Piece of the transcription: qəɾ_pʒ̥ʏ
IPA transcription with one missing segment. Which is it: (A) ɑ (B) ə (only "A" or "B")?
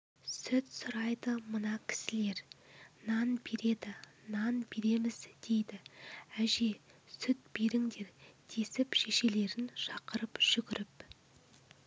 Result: B